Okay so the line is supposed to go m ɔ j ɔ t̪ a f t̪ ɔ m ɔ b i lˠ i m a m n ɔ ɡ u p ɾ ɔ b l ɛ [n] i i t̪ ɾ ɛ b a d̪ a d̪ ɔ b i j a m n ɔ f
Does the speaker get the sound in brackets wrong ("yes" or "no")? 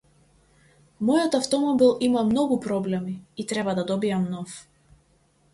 yes